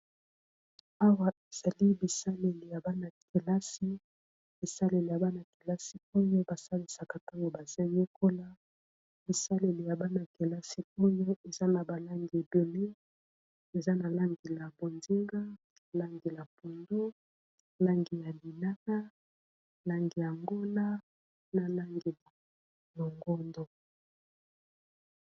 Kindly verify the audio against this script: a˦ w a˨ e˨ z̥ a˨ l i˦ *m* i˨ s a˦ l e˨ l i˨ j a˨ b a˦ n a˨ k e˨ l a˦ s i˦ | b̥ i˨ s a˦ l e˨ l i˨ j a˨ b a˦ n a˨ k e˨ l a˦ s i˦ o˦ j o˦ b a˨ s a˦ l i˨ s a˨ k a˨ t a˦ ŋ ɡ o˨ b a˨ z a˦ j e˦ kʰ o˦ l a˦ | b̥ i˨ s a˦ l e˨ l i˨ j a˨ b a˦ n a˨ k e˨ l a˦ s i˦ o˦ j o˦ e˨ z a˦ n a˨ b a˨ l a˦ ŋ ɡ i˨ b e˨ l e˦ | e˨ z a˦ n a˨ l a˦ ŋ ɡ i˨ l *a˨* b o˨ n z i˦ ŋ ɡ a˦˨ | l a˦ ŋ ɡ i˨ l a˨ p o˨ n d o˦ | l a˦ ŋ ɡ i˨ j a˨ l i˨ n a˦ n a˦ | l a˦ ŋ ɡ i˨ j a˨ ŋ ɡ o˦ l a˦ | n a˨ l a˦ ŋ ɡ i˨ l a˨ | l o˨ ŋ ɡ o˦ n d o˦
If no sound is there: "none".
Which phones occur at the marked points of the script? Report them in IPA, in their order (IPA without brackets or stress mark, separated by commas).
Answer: b, a˨